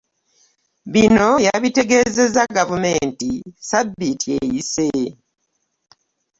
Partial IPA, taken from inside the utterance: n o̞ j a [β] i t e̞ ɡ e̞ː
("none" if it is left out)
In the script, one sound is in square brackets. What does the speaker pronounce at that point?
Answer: β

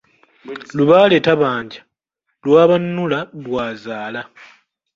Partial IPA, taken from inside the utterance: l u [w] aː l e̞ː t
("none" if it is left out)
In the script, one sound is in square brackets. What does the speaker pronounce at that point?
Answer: β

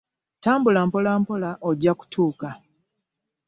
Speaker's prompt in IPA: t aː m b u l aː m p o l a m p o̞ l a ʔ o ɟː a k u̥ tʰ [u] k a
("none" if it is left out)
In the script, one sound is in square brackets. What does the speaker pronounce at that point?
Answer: uː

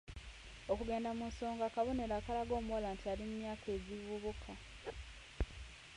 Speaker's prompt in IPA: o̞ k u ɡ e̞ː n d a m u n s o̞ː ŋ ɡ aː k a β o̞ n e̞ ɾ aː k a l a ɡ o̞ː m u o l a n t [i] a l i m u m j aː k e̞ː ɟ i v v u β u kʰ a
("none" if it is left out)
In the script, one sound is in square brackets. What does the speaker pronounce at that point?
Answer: i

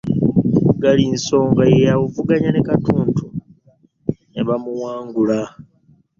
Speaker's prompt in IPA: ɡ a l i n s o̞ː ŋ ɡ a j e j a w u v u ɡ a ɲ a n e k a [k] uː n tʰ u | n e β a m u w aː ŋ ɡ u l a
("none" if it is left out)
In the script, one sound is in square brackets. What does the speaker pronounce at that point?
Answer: t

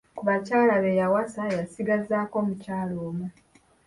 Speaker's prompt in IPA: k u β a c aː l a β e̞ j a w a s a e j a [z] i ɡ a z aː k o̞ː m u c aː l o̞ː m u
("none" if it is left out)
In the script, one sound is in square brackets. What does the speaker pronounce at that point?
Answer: s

